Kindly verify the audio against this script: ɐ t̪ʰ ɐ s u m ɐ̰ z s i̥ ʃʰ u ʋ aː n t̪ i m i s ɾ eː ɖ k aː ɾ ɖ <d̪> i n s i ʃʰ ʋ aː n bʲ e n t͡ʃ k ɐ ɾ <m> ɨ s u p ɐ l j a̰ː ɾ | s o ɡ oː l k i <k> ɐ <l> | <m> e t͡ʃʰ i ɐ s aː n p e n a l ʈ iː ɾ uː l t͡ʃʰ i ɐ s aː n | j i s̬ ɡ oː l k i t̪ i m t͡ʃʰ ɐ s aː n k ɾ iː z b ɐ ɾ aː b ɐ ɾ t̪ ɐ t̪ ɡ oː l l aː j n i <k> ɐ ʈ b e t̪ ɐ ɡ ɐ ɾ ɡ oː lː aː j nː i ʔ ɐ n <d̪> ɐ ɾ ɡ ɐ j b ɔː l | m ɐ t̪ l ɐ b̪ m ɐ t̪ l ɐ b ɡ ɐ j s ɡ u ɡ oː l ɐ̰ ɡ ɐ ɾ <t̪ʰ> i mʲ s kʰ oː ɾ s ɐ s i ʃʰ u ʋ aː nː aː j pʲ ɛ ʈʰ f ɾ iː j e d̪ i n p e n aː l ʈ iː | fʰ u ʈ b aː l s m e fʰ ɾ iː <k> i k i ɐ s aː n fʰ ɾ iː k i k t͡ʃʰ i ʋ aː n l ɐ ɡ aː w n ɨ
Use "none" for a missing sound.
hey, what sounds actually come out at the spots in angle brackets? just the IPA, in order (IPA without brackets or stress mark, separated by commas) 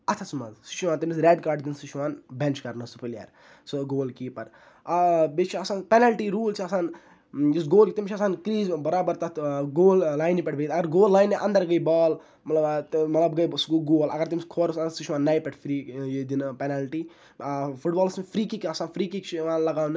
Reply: d̪, n, p, ɾ, b, p, d̪, t̪, k